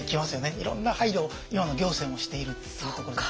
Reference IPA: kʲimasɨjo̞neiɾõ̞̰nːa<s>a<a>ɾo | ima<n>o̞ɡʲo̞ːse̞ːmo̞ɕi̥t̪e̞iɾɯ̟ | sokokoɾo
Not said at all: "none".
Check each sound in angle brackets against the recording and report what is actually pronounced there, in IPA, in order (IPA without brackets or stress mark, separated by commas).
h, i, n